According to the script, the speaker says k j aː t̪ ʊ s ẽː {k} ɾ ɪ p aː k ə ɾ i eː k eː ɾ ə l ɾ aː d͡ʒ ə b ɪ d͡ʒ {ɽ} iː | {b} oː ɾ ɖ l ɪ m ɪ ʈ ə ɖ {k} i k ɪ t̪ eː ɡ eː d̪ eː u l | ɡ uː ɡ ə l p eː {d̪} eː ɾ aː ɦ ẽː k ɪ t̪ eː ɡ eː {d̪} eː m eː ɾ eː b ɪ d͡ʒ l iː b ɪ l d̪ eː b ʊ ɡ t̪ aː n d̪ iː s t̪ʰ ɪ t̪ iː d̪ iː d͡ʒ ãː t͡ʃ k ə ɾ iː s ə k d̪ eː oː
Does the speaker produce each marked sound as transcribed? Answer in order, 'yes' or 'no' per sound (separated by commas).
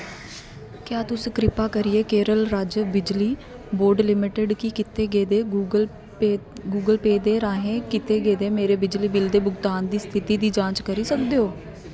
yes, no, yes, yes, yes, yes